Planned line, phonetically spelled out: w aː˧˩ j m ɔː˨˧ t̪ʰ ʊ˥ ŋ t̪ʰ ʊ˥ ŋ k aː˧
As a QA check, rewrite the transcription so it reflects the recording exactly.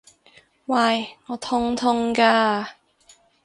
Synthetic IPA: w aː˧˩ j ŋ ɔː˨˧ t̪ʰ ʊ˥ ŋ t̪ʰ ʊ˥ ŋ k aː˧

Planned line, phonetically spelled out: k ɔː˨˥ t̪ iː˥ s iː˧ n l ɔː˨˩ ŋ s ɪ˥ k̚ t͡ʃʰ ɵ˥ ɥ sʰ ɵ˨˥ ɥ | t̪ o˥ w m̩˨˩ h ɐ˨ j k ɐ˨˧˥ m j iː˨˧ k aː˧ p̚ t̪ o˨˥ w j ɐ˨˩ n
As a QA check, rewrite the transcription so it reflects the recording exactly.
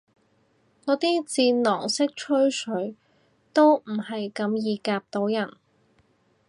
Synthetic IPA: k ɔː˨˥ t̪ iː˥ t͡s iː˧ n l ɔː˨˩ ŋ s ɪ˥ k̚ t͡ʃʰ ɵ˥ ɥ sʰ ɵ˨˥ ɥ | t̪ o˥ w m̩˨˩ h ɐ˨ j k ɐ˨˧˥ m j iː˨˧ k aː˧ p̚ t̪ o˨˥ w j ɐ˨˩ n

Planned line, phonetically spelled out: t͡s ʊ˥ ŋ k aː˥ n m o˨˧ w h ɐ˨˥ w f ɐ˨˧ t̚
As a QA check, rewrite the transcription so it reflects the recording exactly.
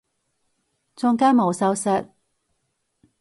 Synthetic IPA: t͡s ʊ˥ ŋ k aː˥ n m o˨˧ w s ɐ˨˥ w s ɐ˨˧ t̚

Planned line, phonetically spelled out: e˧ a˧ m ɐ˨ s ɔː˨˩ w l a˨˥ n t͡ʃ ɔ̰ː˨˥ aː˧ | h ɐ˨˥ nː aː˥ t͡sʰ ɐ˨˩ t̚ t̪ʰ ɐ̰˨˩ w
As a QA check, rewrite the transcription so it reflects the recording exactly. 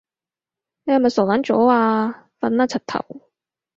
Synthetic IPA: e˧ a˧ m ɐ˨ s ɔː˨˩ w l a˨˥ n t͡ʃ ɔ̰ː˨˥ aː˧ | f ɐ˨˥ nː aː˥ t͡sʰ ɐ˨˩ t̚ t̪ʰ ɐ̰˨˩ w

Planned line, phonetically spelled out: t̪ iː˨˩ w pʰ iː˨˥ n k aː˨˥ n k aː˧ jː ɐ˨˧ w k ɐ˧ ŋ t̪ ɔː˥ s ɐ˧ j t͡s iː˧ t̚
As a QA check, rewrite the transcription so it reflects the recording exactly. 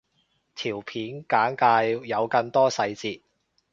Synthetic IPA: t̪ʰ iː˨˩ w pʰ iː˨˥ n k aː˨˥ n k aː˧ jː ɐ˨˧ w k ɐ˧ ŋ t̪ ɔː˥ s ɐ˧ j t͡s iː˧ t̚

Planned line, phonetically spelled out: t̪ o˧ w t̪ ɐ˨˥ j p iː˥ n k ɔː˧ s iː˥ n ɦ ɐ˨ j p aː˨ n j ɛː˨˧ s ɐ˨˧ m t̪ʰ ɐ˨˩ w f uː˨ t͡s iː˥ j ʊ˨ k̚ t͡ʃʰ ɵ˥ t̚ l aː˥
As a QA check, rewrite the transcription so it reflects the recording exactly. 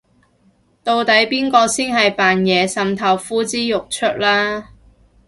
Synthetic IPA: t̪ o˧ w t̪ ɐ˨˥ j p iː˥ n k ɔː˧ s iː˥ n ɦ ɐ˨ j p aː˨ n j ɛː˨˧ s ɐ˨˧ m t̪ʰ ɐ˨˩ w f uː˥ t͡s iː˥ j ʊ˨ k̚ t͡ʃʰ ɵ˥ t̚ l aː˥

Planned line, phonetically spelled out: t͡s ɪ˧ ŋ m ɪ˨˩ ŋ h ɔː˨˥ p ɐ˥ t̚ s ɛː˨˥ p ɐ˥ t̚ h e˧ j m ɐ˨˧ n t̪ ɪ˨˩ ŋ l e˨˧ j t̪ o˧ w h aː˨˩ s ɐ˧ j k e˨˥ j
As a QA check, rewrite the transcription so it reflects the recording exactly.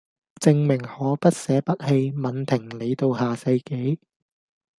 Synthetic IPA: t͡s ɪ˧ ŋ m ɪ˨˩ ŋ h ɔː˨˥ p ɐ˥ t̚ s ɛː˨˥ p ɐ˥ t̚ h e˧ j m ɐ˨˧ n t̪ʰ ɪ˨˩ ŋ l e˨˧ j t̪ o˧ w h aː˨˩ s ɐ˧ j k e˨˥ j

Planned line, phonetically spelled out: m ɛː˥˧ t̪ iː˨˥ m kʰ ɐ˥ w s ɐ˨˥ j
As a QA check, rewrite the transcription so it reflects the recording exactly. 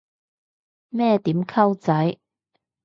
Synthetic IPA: m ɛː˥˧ t̪ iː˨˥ m kʰ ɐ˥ w t͡s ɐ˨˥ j

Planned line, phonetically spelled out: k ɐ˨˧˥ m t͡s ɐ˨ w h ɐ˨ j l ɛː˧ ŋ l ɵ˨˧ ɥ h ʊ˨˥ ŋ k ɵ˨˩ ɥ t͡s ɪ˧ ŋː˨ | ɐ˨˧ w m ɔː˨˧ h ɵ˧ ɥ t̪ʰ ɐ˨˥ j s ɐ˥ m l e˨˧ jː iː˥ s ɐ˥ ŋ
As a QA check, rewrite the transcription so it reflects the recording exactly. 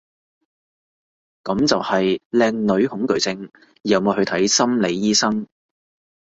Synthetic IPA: k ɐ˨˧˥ m t͡s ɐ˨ w h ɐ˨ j l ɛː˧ ŋ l ɵ˨˧ ɥ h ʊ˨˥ ŋ k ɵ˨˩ ɥ t͡s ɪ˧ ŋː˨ | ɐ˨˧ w m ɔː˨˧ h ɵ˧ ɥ t̪ʰ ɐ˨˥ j s ɐ˥ m l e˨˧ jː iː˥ s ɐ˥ ŋ

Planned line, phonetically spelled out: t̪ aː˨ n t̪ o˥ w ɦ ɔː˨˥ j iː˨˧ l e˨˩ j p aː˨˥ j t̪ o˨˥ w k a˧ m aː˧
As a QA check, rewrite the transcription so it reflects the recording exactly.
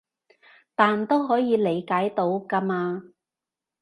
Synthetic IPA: t̪ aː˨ n t̪ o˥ w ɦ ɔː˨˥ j iː˨˧ l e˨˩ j k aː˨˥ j t̪ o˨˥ w k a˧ m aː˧

